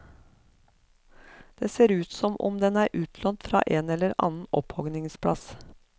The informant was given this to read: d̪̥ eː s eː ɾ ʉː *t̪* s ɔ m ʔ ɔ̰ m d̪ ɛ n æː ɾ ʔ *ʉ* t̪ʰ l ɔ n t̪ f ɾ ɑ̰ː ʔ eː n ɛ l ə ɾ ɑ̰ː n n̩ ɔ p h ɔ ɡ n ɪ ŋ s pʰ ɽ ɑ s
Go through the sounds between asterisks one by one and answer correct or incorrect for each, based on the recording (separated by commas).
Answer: correct, incorrect